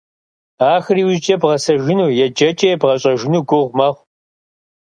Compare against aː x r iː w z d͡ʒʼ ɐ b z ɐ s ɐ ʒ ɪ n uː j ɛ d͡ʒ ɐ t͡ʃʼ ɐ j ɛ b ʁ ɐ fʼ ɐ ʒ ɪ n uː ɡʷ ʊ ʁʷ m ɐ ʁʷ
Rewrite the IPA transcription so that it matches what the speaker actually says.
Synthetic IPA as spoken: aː x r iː w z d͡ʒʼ ɐ b ʁ ɐ s ɐ ʒ ɪ n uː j ɛ d͡ʒ ɐ t͡ʃʼ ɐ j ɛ b ʁ ɐ ɕʼ ɐ ʒ ɪ n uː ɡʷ ʊ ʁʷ m ɐ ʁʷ

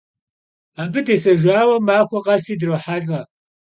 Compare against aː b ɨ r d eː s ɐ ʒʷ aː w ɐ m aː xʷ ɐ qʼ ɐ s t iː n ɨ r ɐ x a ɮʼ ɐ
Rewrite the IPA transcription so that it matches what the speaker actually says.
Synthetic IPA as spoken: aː b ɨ d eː s ɐ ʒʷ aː w ɐ m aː xʷ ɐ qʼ ɐ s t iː d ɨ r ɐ ħ a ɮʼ ɐ

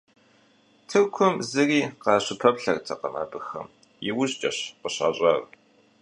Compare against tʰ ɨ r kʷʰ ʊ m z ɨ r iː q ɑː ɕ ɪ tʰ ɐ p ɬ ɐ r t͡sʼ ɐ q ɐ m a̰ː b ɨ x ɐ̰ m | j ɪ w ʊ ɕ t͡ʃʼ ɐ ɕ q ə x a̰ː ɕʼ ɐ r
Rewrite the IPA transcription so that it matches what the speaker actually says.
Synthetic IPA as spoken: tʰ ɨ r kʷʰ ʊ m z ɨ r iː q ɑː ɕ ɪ pʰ ɐ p ɬ ɐ r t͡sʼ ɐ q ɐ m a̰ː b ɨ x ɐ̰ m | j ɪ w ʊ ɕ t͡ʃʼ ɐ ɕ q ə ɕ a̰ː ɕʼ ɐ r

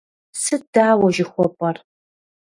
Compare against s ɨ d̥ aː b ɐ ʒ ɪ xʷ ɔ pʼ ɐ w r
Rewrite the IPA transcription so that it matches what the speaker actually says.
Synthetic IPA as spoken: s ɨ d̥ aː w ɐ ʒ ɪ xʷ ɔ pʼ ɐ r

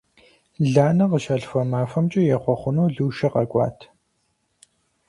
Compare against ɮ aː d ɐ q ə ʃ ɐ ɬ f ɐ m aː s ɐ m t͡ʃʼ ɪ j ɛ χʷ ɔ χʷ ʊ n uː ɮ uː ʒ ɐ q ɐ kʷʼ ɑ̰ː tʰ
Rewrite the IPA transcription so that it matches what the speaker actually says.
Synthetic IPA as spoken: ɮ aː n ɐ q ə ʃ ɐ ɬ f ɐ m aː f ɐ m t͡ʃʼ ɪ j ɛ χʷ ɔ χʷ ʊ n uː ɮ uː ʃ ɐ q ɐ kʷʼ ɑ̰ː tʰ

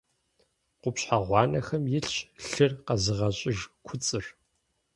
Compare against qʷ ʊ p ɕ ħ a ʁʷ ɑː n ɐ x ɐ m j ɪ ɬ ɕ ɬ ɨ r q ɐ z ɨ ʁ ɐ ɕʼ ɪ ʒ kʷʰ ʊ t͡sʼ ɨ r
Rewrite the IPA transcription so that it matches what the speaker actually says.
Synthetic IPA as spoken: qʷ ʊ p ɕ ħ a ʁʷ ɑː n ɐ x ɐ m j ɪ ɬ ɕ ɬ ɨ r q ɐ z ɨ ʁ ɐ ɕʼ ɪ ʒ kʷʰ ʊ t͡sʼ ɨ r

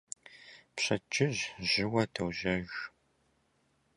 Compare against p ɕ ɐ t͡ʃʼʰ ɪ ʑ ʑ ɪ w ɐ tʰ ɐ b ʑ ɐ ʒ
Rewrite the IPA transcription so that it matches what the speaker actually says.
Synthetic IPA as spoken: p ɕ ɐ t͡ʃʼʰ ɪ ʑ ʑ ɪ w ɐ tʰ ɐ w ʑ ɐ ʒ

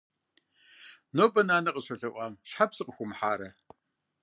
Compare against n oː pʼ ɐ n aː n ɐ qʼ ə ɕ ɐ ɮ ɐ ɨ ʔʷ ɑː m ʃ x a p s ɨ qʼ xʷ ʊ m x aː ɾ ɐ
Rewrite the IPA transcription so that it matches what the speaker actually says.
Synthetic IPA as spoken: n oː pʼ ɐ n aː n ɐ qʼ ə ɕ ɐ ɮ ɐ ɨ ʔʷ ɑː m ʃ ħ a p s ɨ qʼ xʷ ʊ m ħ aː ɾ ɐ

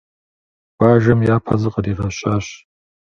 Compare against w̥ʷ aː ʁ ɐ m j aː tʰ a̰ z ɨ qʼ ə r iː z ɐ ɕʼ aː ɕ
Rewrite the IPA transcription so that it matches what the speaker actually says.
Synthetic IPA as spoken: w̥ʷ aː ʒ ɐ m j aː pʰ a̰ z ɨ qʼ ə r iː ʁ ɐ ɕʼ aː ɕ

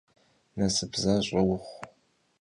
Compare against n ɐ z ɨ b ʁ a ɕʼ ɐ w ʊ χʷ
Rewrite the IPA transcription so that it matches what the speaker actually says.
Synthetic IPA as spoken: n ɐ s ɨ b z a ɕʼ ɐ w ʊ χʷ

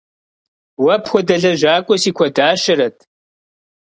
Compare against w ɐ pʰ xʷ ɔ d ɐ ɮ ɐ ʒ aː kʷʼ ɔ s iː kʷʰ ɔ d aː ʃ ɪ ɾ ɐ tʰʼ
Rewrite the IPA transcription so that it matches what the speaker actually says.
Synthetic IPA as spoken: w ɐ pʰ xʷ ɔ d ɐ ɮ ɐ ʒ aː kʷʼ ɔ s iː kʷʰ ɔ d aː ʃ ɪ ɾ ɐ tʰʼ

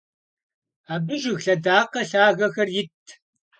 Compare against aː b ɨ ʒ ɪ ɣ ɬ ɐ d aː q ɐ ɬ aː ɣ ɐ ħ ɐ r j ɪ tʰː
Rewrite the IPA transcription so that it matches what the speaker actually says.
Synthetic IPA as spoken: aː b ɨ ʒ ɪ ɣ ɬ ɐ d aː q ɐ ɬ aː ɣ ɐ x ɐ r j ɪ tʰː

